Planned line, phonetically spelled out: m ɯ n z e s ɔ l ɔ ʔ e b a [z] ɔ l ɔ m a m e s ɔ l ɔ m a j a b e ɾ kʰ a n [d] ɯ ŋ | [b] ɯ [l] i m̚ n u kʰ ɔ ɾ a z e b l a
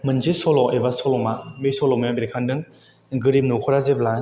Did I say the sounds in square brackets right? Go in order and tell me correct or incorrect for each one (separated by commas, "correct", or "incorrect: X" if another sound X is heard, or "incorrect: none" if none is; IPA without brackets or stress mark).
incorrect: s, correct, incorrect: ɡ, incorrect: ɾ